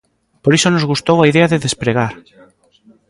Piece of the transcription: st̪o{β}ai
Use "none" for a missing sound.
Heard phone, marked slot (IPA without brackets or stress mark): w